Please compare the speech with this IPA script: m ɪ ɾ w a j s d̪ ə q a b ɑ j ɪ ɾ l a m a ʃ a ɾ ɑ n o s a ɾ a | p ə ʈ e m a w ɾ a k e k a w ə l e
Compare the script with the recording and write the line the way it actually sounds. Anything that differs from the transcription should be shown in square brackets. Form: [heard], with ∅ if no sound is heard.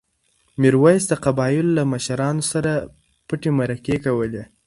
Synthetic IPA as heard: m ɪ ɾ w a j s d̪ ə q a b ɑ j ɪ [l] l a m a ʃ a ɾ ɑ n o s a ɾ a | p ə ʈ e m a [∅] ɾ a k e k a w ə l e